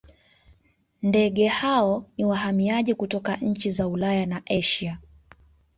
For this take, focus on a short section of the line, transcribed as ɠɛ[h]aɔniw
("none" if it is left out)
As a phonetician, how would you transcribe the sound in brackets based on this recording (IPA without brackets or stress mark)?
h